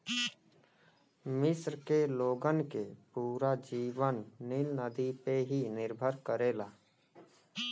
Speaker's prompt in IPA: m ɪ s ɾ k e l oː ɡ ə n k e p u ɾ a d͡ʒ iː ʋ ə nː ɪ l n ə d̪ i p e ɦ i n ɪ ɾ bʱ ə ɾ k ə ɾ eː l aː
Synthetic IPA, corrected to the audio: m ɪ s ɾ k e l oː ɡ ə n k e p uː ɾ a d͡ʒ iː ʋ ə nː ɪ l n ə d̪ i p e ɦ i n ɪ ɾ bʱ ə ɾ k ə ɾ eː l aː

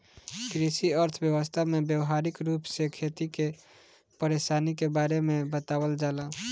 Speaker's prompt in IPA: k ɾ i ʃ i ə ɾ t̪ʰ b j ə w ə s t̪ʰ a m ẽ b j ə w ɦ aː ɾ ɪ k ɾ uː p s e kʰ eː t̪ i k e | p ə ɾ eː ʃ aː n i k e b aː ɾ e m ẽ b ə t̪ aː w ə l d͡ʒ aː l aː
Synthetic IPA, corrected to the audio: k ɾ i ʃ i ə ɾ t̪ʰ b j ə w ə s t̪ʰ a m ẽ b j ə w ɦ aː ɾ ɪ k ɾ uː p s e kʰ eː t̪ i k e | p ə ɾ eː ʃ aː n i k e b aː ɾ e m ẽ b ə t̪ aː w ə l d͡ʒ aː l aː

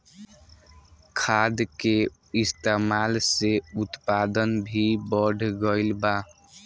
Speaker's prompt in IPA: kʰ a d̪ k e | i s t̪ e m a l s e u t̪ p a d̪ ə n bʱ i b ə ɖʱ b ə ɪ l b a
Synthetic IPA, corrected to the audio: kʰ a d̪ k e | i s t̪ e m a l s e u t̪ p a d̪ ə n bʱ i b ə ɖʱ ɡ ə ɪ l b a

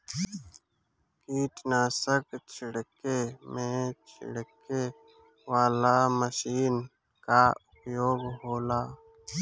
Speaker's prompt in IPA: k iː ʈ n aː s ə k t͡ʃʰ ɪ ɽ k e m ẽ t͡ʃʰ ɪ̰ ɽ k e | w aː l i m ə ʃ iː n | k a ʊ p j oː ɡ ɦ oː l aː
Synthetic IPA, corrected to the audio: k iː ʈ n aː s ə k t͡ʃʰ ɪ ɽ k e m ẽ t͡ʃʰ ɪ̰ ɽ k e | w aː l a m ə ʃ iː n | k a ʊ p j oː ɡ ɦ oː l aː

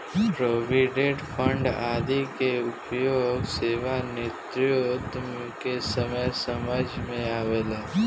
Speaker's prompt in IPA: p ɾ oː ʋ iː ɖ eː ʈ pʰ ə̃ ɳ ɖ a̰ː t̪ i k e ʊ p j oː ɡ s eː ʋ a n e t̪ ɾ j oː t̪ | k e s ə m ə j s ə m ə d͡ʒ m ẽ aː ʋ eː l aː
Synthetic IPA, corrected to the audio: p ɾ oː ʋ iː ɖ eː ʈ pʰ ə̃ ɳ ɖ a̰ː d̪ i k e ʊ p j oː ɡ s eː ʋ a n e t̪ ɾ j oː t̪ | k e s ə m ə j s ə m ə d͡ʒ m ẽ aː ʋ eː l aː

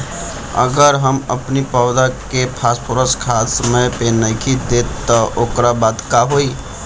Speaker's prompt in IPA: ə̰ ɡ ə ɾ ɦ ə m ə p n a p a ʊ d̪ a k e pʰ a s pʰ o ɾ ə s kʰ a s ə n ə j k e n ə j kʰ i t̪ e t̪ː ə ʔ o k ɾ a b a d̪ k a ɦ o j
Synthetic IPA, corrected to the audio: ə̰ ɡ ə ɾ ɦ ə m ə p n i p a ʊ d̪ a k e pʰ a s pʰ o ɾ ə s kʰ a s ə m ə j p e n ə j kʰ i d̪ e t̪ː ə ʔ o k ɾ a b a d̪ k a ɦ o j

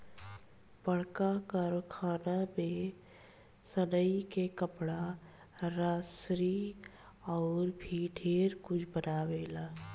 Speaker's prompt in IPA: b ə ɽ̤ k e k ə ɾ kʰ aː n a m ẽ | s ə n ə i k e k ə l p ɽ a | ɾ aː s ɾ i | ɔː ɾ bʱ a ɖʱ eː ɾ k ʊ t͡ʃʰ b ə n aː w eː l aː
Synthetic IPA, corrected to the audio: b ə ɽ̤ k a k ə ɾ kʰ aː n a m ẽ | s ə n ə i k e k ə p ɽ a | ɾ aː s ɾ i | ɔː ɾ bʱ i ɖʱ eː ɾ k ʊ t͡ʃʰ b ə n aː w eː l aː

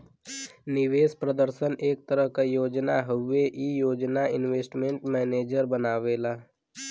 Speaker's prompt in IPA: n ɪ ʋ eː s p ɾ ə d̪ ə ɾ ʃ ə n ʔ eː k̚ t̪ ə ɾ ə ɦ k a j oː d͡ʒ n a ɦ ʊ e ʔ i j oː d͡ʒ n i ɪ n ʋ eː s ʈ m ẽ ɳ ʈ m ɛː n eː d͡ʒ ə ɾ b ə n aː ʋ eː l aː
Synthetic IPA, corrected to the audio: n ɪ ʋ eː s p ɾ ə d̪ ə ɾ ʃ ə n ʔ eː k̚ t̪ ə ɾ ə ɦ k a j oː d͡ʒ n a ɦ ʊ e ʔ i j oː d͡ʒ n a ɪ n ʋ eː s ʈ m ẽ ɳ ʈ m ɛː n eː d͡ʒ ə ɾ b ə n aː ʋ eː l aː

